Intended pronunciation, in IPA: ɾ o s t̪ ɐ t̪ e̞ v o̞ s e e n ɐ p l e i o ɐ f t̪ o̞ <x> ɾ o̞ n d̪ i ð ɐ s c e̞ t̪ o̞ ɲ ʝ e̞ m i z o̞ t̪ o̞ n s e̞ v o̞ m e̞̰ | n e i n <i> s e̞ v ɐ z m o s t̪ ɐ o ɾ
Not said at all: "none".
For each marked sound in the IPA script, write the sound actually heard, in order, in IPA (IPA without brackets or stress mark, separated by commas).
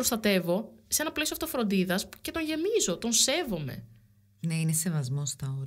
f, e